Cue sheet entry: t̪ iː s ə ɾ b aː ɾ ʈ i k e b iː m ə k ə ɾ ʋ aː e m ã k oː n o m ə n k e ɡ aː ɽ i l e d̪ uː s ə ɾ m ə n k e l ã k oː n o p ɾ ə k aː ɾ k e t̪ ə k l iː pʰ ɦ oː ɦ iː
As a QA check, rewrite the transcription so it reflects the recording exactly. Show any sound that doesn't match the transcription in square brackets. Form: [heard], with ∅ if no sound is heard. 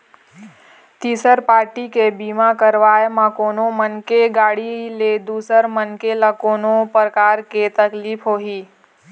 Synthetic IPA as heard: t̪ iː s ə ɾ [p] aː ɾ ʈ i k e b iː m [a] k ə ɾ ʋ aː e m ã k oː n o m ə n k e ɡ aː ɽ i l e d̪ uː s ə ɾ m ə n k e l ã k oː n o p ɾ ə k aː ɾ k e t̪ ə k l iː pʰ ɦ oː ɦ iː